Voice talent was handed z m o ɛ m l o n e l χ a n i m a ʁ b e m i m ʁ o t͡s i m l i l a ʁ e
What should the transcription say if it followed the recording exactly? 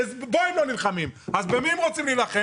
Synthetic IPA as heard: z b o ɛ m l o n i l χ a m i m a z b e m i m ʁ o t͡s i m l i l a χ e